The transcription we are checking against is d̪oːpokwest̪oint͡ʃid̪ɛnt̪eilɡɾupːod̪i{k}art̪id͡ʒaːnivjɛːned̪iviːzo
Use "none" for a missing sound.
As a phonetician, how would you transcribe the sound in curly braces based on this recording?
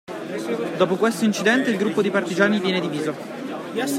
p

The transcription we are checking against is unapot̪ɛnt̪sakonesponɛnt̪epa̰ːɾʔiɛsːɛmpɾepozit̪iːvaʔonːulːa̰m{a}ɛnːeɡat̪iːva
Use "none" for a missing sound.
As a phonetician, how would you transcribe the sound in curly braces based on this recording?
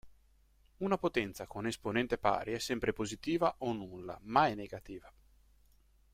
a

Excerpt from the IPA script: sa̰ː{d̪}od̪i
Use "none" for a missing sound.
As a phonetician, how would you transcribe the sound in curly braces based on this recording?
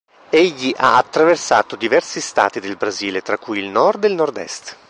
t̪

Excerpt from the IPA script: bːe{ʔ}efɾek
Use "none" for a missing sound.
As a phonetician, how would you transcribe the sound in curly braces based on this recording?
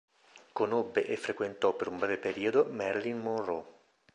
ʔ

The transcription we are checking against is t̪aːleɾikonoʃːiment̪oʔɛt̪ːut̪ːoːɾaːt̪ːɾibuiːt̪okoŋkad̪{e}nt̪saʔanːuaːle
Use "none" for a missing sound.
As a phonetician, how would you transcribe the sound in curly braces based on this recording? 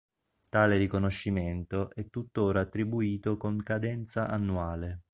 ɛ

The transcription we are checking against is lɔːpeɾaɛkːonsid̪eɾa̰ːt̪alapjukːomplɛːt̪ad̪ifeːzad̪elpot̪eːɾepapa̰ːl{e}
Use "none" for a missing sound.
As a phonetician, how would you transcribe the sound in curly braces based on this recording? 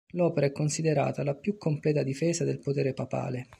e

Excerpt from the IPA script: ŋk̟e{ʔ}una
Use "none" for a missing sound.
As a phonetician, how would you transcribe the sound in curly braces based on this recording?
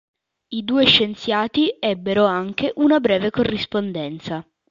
ʔ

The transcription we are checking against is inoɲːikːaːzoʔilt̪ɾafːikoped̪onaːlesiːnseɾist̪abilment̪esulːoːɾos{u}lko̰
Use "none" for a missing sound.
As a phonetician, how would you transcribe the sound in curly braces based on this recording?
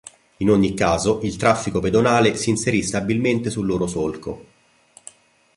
o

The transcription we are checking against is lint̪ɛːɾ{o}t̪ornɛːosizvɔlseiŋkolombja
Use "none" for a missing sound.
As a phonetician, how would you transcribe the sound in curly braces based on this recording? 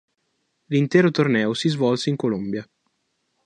o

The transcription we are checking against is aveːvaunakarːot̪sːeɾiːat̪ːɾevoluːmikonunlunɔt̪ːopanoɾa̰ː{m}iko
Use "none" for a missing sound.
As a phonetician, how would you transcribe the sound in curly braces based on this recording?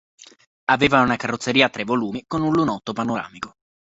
m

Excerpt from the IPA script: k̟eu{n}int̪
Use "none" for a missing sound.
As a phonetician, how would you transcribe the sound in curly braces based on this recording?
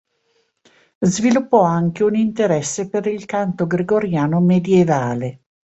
n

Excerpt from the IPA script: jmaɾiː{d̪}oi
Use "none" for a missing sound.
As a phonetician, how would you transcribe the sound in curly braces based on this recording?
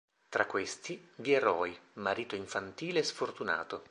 t̪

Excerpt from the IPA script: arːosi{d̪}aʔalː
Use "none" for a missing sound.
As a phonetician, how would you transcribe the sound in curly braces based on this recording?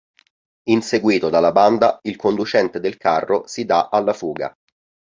d̪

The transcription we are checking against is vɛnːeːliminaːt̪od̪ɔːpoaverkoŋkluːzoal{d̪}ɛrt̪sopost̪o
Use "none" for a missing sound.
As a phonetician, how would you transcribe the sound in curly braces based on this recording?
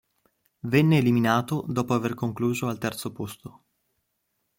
t̪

